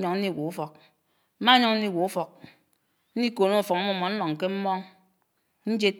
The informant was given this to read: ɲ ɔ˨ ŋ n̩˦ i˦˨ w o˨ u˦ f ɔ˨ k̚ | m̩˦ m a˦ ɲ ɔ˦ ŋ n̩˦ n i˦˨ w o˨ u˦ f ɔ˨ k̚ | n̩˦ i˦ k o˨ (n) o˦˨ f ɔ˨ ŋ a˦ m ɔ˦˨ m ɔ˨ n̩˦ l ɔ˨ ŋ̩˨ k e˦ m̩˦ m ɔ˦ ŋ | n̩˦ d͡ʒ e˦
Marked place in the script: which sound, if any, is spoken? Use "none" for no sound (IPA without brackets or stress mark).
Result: n